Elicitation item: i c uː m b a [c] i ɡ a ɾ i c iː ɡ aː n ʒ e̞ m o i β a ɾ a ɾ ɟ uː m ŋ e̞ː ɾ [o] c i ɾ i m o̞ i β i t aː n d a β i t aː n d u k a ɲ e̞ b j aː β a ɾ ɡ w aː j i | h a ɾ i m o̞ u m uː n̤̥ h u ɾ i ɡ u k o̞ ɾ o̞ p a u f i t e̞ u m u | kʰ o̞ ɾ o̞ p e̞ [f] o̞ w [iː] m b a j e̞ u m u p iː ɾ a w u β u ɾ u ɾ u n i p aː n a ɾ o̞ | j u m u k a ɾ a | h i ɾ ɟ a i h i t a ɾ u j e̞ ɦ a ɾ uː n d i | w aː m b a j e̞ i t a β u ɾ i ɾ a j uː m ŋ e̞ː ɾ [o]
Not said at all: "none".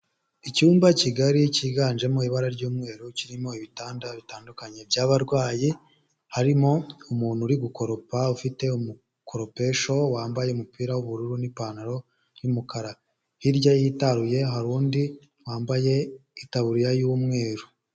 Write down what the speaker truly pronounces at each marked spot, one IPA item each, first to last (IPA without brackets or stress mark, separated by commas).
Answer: c, u, ʃ, aː, u